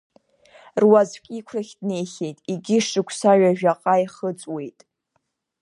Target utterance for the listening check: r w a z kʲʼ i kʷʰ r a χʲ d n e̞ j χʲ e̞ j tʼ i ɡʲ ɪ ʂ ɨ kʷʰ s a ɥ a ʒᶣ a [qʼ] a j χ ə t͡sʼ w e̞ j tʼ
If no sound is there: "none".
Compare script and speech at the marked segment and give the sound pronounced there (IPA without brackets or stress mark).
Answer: qʼ